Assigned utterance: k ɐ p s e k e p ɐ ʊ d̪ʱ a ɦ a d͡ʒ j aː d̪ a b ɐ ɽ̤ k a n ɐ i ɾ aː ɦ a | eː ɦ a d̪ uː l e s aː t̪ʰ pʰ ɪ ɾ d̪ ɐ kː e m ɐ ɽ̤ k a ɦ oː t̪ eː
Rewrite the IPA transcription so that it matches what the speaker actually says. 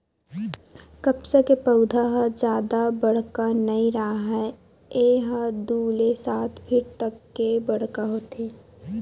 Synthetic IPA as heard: k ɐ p s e k e p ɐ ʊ d̪ʱ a ɦ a d͡ʒ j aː d̪ a b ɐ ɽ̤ k a n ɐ i ɾ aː ɦ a | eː ɦ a d̪ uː l e s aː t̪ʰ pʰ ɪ ɾ t̪ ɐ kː e b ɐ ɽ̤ k a ɦ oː t̪ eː